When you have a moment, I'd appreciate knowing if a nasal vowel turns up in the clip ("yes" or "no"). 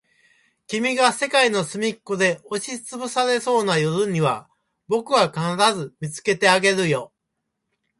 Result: no